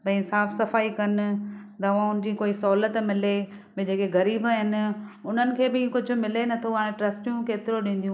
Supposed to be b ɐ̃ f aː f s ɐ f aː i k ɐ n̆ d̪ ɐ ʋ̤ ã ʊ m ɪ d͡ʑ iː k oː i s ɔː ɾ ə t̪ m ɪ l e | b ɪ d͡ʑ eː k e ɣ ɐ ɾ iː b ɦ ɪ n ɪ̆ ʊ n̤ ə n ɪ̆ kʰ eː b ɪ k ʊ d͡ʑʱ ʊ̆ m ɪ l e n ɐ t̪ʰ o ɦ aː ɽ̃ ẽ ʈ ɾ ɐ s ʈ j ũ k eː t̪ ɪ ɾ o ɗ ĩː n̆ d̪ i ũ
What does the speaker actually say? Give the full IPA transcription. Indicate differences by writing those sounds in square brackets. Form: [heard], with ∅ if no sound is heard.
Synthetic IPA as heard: b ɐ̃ [s] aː f s ɐ f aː i k ɐ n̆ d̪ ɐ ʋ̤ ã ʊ [n] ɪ d͡ʑ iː k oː i s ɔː [l] ə t̪ m ɪ l e | b ɪ d͡ʑ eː k e ɣ ɐ ɾ iː b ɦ ɪ n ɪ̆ ʊ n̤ ə n ɪ̆ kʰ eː b ɪ k ʊ d͡ʑʱ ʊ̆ m ɪ l e n ɐ t̪ʰ o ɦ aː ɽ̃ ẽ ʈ ɾ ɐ s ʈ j ũ k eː t̪ ɪ ɾ o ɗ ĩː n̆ d̪ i ũ